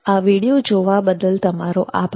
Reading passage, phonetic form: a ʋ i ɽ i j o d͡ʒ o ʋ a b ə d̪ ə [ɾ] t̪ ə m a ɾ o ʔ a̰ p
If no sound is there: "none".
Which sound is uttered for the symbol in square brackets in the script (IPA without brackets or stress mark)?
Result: l